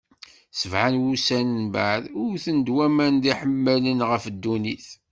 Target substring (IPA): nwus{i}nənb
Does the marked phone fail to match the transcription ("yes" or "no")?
yes